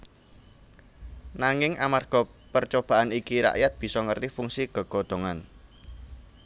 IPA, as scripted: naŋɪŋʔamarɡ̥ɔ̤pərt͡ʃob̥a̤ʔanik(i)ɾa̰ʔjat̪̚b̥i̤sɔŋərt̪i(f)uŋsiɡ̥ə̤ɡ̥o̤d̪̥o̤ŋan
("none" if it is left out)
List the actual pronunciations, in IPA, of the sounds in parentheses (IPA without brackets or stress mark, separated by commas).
i, f